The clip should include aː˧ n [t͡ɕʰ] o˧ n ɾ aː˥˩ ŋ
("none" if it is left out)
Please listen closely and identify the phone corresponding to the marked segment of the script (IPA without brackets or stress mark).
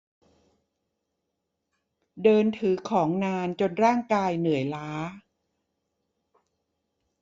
t͡ɕ